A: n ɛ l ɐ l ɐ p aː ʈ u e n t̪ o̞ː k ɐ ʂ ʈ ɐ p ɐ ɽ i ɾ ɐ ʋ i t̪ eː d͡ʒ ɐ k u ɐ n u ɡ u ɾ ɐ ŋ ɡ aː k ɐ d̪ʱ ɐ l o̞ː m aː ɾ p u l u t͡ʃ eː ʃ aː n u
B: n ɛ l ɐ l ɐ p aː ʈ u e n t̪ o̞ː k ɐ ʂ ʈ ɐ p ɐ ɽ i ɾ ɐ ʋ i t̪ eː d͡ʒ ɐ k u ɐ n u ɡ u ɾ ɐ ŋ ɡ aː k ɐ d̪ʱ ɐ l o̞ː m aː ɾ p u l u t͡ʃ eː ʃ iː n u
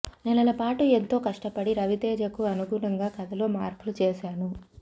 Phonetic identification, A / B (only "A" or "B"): A